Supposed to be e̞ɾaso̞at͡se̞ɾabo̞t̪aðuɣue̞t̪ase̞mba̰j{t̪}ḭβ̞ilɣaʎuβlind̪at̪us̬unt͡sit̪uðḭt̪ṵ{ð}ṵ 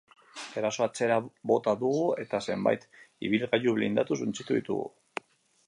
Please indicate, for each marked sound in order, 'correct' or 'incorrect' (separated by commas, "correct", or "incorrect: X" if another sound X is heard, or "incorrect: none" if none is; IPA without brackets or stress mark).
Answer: correct, incorrect: ɣ